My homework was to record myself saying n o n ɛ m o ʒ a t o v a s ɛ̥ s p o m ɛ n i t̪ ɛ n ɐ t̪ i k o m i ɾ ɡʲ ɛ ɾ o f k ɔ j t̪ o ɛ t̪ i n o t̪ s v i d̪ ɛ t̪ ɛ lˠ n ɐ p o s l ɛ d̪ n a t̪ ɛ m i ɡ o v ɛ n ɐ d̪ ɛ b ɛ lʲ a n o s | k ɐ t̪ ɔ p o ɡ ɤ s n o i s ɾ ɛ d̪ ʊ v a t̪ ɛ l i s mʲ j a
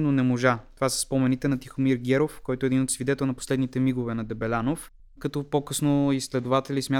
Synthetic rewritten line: n o n ɛ m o ʒ a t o v a s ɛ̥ s p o m ɛ n i t̪ ɛ n ɐ t̪ i x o m i ɾ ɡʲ ɛ ɾ o f k ɔ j t̪ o ɛ d̪ i n o t̪ s v i d̪ ɛ t̪ ɛ lˠ n ɐ p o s l ɛ d̪ n i t̪ ɛ m i ɡ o v ɛ n ɐ d̪ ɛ b ɛ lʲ a n o f | k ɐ t̪ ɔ p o k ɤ s n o i s l ɛ d̪ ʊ v a t̪ ɛ l i s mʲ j a